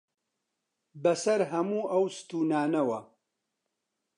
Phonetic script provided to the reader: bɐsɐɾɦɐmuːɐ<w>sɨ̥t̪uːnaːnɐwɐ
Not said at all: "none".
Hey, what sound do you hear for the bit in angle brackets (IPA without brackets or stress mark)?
w